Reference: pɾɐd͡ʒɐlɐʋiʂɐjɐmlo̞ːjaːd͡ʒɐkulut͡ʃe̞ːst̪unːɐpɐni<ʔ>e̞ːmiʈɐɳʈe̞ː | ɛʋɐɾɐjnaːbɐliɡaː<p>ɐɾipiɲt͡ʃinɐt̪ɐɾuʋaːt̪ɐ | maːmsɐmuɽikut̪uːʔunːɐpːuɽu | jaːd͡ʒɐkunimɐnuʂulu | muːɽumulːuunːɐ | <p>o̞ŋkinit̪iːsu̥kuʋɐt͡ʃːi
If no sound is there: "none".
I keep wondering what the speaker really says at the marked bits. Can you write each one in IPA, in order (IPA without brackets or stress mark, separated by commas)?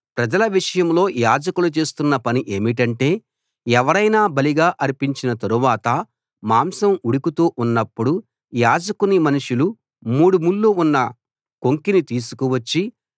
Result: ʔ, ʔ, k